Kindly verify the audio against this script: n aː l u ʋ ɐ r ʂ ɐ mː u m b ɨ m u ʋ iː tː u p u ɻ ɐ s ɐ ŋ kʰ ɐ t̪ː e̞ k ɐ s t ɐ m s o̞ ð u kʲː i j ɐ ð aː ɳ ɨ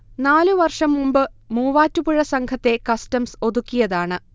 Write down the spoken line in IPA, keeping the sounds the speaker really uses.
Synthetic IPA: n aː l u ʋ ɐ r ʂ ɐ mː u m b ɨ m uː ʋ aː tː u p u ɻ ɐ s ɐ ŋ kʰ ɐ t̪ː e̞ k ɐ s t ɐ m s o̞ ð u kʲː i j ɐ ð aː ɳ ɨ